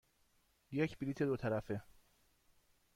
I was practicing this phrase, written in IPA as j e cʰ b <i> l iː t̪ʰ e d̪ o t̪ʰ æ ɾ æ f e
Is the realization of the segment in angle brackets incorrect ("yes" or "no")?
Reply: no